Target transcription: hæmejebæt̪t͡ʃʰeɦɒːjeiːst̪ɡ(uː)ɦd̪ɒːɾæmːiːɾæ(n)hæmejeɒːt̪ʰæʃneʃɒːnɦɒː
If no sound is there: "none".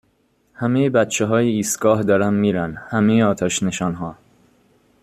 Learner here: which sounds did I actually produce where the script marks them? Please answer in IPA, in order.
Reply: ɒː, n

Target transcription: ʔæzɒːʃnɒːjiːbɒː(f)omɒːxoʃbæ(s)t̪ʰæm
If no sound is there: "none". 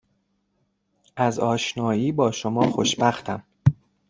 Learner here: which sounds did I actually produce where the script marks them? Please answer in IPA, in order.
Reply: ʃ, x

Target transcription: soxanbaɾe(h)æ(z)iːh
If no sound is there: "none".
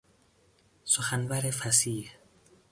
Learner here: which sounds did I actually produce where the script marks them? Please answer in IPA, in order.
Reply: f, s

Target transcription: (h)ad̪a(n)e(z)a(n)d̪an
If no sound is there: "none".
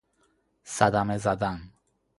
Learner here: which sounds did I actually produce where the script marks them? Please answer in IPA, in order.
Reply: s, m, z, none

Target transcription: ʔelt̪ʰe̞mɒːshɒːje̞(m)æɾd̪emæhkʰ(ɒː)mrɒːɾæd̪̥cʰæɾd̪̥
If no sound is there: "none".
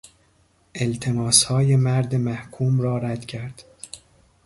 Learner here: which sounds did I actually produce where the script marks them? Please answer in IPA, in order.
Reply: m, uː

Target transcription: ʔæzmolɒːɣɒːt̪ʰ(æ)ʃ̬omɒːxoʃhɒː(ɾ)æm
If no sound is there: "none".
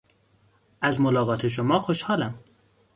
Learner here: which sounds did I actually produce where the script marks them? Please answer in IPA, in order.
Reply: e, l

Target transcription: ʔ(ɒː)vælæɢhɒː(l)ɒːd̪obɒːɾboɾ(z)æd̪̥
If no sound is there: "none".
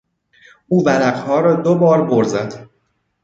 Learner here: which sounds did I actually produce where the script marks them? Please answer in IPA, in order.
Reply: uː, ɾ, z

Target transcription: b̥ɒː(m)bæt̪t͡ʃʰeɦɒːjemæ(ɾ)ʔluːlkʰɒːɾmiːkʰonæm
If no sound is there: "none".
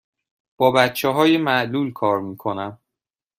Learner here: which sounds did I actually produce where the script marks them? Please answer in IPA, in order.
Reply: none, none

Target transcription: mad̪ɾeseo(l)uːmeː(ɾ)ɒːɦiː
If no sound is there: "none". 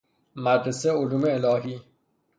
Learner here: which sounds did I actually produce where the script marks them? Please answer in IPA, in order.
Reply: l, l

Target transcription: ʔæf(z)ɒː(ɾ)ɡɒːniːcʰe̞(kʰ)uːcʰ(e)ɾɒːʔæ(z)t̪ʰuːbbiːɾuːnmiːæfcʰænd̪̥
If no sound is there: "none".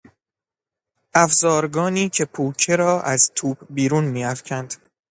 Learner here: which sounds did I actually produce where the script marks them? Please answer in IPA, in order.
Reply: z, ɾ, pʰ, e, z

